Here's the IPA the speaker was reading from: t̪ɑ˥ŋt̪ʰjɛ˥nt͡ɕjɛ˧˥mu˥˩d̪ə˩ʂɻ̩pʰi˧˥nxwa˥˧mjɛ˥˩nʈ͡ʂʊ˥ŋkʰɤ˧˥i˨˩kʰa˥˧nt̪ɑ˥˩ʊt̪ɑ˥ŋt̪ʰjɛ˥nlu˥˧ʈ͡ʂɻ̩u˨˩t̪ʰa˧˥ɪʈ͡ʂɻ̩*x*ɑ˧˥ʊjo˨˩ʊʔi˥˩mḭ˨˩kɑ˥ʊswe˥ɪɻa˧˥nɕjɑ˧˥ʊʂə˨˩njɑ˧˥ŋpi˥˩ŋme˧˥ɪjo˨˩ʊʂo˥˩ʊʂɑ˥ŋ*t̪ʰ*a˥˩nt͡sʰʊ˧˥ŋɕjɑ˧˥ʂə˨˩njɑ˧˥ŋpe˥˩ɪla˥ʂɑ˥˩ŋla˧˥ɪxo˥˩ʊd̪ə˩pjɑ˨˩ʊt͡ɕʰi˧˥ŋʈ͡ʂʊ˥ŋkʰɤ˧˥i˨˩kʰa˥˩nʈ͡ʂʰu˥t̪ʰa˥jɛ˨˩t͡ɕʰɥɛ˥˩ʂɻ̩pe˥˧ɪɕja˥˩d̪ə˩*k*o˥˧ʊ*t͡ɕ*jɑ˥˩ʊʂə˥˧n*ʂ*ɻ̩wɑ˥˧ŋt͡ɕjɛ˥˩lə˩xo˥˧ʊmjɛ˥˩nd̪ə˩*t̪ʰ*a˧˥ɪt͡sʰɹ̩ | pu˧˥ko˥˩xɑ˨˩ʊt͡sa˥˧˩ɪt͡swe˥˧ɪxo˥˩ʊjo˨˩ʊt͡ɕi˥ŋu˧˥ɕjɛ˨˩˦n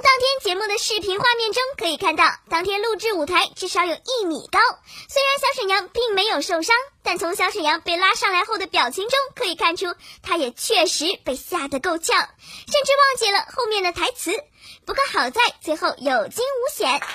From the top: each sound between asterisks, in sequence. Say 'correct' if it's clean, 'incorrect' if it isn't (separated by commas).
incorrect, incorrect, correct, incorrect, incorrect, correct